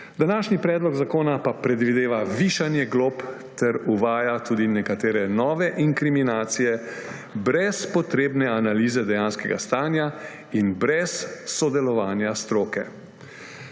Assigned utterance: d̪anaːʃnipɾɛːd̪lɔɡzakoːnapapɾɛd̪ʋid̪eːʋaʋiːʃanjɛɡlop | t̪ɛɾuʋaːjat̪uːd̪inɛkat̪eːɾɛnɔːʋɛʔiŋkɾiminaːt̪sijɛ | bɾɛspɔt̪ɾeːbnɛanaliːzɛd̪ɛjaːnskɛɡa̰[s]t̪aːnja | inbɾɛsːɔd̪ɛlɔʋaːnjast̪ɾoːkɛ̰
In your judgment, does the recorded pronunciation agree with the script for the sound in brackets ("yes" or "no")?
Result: yes